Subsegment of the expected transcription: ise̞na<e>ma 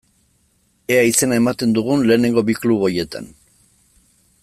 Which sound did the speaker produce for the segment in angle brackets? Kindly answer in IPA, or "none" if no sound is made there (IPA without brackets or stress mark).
e